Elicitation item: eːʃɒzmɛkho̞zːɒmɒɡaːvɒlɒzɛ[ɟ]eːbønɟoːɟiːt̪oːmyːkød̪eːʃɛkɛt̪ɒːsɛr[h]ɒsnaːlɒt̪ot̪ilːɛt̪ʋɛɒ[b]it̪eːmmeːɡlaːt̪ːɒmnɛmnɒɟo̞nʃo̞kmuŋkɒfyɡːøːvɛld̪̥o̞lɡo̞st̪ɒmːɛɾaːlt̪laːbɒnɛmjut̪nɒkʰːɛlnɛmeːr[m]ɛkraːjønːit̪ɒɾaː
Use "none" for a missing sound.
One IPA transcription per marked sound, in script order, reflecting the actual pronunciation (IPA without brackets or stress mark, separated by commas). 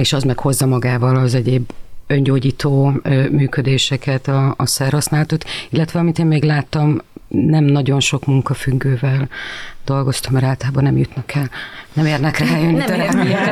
ɟ, h, m, n